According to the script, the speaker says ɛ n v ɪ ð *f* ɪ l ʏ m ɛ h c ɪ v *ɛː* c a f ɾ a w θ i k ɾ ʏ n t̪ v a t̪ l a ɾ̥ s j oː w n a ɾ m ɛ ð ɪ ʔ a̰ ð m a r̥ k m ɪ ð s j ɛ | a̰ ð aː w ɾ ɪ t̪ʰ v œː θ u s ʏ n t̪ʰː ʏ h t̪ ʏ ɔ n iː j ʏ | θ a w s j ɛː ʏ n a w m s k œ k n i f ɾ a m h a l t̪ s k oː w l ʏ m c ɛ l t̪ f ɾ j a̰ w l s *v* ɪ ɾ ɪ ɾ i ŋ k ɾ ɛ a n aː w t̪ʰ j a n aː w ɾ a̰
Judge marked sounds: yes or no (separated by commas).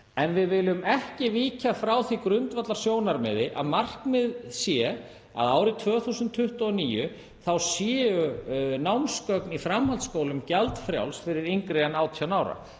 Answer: no, no, no